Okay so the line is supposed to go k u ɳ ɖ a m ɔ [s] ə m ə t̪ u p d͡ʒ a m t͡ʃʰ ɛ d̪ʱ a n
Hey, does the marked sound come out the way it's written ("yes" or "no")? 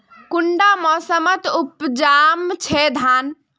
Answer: yes